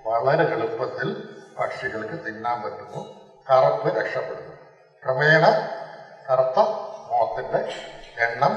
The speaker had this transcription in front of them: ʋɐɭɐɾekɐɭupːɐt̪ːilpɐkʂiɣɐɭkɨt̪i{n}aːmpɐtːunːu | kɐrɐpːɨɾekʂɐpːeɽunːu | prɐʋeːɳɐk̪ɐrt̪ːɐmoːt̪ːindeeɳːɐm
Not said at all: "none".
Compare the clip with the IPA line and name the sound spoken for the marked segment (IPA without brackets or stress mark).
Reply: nː